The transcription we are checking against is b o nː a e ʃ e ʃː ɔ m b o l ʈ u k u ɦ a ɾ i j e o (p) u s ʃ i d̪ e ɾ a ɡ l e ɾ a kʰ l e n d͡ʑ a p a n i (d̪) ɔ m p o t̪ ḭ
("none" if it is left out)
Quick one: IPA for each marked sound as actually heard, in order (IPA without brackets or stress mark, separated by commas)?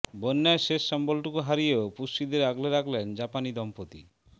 p, d̪